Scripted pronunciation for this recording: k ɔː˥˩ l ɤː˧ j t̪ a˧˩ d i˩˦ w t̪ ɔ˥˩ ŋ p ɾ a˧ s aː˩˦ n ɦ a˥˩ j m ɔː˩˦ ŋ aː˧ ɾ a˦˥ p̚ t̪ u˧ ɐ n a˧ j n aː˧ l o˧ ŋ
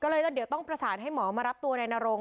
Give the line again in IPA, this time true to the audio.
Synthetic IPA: k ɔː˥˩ l ɤː˧ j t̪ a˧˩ d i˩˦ w t̪ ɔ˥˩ ŋ p ɾ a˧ s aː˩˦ n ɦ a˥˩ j m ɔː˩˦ m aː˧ ɾ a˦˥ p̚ t̪ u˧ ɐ n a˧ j n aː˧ ɾ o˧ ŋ

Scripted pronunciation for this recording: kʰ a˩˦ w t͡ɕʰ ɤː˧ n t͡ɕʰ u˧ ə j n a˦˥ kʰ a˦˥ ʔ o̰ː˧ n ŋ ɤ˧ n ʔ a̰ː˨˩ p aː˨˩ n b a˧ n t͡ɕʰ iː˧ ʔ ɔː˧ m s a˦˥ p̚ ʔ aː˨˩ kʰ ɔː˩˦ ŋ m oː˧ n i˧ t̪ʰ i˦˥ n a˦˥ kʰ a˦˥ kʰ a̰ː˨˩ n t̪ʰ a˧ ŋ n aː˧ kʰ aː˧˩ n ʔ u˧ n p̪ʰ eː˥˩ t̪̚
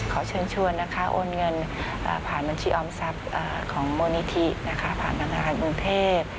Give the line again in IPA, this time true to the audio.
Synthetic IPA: kʰ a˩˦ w t͡ɕʰ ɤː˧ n t͡ɕʰ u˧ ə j n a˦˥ kʰ a˦˥ ʔ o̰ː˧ n ŋ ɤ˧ n ʔ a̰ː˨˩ pʰ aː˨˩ n b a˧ n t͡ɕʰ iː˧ ʔ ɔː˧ m s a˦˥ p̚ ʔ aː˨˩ kʰ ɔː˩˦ ŋ m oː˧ n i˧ t̪ʰ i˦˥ n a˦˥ kʰ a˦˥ pʰ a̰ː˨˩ n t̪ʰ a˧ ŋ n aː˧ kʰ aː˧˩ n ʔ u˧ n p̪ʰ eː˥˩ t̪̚

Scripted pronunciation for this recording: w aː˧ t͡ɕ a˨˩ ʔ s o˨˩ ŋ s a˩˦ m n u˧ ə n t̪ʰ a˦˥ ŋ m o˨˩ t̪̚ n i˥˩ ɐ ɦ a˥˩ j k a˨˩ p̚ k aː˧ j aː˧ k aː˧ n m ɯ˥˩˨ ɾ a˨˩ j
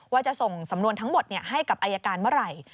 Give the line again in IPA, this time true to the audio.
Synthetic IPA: w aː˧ t͡ɕ a˨˩ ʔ s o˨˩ ŋ s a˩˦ m n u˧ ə n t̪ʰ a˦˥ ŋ m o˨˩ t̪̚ n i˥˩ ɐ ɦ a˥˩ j k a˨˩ p̚ ʔ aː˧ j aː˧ k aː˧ n m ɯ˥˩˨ ɾ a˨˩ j

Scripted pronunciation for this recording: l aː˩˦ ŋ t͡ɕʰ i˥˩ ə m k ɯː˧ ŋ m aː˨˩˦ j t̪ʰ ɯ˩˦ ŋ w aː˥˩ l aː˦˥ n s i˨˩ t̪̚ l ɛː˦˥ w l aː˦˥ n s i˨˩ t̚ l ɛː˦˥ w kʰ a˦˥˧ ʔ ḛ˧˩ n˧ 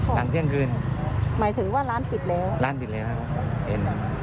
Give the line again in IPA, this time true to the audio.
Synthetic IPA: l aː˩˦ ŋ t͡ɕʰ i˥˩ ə ŋ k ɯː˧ n m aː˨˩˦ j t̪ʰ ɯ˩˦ ŋ w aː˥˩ l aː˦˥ n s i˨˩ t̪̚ l ɛː˦˥ w l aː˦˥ n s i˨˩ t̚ l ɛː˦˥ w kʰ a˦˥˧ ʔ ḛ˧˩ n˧

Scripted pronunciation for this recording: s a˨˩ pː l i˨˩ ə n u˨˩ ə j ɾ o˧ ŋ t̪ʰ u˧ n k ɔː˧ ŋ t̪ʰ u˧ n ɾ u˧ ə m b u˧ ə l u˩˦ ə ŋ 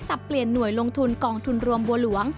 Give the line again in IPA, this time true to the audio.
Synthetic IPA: s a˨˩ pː l i˨˩ ə nː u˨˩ ə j l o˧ ŋ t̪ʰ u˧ n k ɔː˧ ŋ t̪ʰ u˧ n ɾ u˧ ə m b u˧ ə l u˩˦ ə ŋ

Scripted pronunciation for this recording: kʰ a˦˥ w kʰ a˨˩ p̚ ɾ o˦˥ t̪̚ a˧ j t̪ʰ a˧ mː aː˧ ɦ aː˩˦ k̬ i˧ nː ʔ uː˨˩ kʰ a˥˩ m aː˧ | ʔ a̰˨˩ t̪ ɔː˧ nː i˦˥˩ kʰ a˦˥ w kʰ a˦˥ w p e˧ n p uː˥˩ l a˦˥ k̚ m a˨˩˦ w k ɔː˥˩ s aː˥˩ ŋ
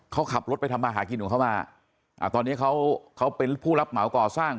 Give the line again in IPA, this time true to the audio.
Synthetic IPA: kʰ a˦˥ w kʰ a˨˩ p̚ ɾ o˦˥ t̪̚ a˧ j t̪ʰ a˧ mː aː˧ ɦ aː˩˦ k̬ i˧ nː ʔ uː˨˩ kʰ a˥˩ m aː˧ | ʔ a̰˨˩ t̪ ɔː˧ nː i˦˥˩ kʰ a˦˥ w kʰ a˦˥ w p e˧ n pʰ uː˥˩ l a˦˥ p̚ m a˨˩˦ w k ɔː˨˩ s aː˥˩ ŋ

